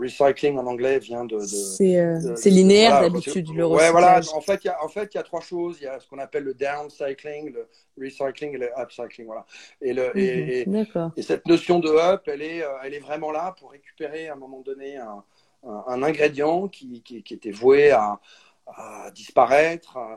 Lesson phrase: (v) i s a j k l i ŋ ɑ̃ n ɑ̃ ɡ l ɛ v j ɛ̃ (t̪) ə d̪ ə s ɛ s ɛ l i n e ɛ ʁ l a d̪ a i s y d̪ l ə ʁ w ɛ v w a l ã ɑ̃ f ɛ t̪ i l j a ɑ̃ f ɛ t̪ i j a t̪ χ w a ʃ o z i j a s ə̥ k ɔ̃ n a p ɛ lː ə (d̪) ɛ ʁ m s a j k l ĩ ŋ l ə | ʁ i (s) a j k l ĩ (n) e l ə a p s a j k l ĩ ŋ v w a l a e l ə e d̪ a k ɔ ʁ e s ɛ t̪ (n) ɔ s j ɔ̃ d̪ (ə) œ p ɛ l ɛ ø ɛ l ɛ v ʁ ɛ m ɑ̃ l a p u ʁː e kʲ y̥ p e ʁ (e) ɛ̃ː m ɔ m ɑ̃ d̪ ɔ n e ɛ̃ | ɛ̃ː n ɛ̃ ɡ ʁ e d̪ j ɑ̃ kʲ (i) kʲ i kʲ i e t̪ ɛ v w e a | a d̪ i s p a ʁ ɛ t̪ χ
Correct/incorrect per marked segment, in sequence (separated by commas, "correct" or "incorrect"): incorrect, incorrect, correct, correct, incorrect, correct, correct, correct, correct